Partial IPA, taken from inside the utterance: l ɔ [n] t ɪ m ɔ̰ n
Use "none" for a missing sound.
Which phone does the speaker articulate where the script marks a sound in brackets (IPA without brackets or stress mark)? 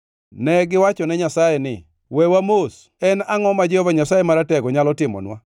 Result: none